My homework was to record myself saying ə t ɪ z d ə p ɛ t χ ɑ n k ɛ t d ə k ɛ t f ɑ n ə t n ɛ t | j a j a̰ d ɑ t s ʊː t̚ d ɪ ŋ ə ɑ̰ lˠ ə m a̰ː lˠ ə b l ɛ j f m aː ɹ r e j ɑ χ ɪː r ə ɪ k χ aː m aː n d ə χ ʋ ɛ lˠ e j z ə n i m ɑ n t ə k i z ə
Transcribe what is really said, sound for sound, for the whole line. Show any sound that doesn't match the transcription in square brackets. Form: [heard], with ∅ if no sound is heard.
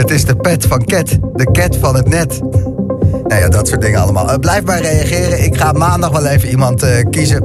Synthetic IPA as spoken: ə t ɪ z d ə p ɛ t [f] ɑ n k ɛ t d ə k ɛ t f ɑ n ə t n ɛ t | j a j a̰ d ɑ t s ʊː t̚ d ɪ ŋ ə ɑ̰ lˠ ə m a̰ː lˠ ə b l ɛ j f m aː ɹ r e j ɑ χ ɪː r ə ɪ k χ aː m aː n d [ɑ] χ ʋ ɛ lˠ e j [v] ə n i m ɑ n t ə k i z ə